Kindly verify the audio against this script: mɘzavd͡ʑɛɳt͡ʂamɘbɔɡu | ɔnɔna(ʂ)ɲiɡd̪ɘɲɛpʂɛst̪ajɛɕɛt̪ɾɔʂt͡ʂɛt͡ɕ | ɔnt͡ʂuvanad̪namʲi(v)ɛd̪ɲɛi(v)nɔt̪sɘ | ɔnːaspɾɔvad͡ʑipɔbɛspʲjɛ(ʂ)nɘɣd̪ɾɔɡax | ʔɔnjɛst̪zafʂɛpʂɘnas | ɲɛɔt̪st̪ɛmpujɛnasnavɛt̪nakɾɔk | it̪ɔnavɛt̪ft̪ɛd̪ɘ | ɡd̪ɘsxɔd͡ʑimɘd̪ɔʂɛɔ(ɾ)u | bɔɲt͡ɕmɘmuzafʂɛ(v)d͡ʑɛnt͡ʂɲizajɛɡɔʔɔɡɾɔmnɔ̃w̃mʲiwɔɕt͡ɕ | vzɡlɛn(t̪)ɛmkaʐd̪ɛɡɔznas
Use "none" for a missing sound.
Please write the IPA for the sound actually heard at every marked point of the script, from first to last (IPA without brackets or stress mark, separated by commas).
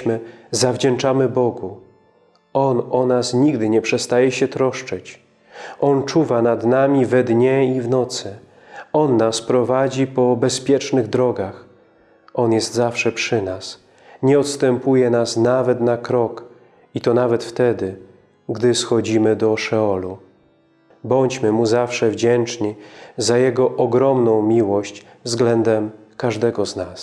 s, v, v, t͡ʂ, l, v, d̪